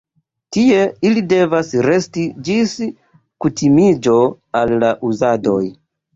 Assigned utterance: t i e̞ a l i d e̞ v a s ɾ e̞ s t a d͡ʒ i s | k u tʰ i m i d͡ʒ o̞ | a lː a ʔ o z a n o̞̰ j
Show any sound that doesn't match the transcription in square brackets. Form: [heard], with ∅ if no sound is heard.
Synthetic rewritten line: t i e̞ [i] l i d e̞ v a s ɾ e̞ s t [i] d͡ʒ i s | k u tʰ i m i d͡ʒ o̞ | a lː a ʔ [u] z a [d] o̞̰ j